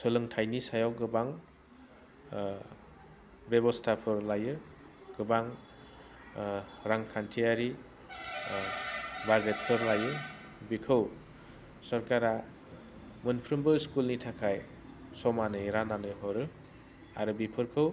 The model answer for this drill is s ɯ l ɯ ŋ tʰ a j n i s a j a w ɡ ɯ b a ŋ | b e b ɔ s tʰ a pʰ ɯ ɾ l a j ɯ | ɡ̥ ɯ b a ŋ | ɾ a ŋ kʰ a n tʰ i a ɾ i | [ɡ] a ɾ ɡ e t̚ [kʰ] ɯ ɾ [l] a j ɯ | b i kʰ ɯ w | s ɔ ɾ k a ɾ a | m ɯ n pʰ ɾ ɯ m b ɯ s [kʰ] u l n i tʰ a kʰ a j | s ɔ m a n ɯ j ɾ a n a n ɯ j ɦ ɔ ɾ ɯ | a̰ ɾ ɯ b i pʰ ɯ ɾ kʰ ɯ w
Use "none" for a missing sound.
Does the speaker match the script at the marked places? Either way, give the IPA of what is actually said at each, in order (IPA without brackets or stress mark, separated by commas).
b, pʰ, l, k